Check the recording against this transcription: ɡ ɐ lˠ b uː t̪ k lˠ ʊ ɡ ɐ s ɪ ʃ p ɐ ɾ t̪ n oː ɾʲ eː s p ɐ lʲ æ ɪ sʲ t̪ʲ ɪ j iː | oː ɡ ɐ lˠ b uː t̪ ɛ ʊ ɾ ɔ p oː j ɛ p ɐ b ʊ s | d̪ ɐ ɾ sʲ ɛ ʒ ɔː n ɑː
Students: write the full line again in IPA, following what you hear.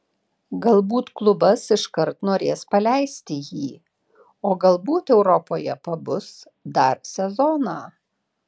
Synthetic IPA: ɡ ɐ lˠ b uː t̪ k lˠ ʊ b ɐ s ɪ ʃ k ɐ ɾ t̪ n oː ɾʲ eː s p ɐ lʲ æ ɪ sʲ t̪ʲ ɪ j iː | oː ɡ ɐ lˠ b uː t̪ ɛ ʊ ɾ ɔ p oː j ɛ p ɐ b ʊ s | d̪ ɐ ɾ sʲ ɛ z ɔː n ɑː

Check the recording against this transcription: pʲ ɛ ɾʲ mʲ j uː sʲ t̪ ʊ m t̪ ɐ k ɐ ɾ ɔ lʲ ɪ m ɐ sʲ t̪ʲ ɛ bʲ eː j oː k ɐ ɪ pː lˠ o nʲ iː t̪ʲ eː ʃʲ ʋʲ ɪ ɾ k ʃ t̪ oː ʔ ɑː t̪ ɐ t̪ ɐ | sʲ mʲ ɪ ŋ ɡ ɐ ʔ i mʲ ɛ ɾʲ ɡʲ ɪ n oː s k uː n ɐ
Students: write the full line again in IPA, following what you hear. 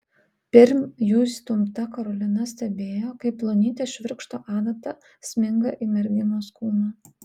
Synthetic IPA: pʲ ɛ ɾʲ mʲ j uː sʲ t̪ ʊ m t̪ ɐ k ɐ ɾ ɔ lʲ ɪ n ɐ sʲ t̪ʲ ɛ bʲ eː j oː k ɐ ɪ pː lˠ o nʲ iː t̪ʲ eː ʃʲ ʋʲ ɪ ɾ k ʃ t̪ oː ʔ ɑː d̪ ɐ t̪ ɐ | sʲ mʲ ɪ ŋ ɡ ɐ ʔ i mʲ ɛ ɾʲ ɡʲ ɪ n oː s k uː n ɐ

